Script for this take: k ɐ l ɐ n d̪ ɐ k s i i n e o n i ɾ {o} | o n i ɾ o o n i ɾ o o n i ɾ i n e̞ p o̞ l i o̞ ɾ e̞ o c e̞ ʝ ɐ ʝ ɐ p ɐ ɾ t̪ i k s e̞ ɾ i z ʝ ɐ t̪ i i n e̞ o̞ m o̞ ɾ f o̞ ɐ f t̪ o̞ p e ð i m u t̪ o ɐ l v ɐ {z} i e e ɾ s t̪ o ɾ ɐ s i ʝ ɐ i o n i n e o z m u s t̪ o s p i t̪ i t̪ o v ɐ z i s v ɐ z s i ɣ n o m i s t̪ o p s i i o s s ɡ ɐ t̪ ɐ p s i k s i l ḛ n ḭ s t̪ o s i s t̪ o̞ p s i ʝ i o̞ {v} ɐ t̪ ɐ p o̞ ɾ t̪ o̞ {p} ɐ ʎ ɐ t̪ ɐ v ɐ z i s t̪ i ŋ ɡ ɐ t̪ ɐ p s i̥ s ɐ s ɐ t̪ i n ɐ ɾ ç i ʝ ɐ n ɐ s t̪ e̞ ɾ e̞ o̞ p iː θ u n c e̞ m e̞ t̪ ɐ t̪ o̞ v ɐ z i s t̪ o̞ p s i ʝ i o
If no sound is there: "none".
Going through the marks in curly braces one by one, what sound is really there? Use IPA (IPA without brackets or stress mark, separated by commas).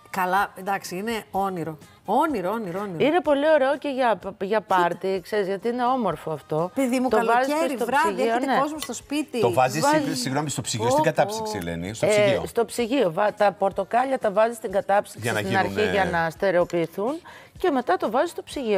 o, z, v, k